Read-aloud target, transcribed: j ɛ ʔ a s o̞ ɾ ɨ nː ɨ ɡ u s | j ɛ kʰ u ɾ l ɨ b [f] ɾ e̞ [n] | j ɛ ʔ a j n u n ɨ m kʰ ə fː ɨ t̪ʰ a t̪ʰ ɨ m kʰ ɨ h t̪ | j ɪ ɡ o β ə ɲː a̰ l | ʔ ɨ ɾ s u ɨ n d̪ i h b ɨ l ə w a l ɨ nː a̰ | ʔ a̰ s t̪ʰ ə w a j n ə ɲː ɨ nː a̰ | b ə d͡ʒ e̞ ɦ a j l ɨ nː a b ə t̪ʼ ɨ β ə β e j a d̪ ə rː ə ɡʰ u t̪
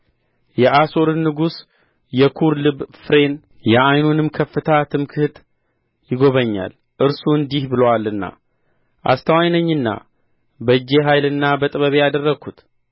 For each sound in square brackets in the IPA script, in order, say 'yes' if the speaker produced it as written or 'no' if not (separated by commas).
yes, yes